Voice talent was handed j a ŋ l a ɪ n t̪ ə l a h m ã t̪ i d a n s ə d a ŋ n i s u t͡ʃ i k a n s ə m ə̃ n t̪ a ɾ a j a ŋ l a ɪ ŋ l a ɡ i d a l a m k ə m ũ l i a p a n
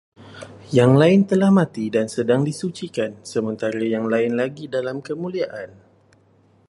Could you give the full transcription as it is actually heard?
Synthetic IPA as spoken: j a ŋ l a ɪ n t̪ ə l a h m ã t̪ i d a n s ə d a ŋ d i s u t͡ʃ i k a n s ə m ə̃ n t̪ a ɾ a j a ŋ l a ɪ n l a ɡ i d a l a m k ə m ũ l i a ʔ a n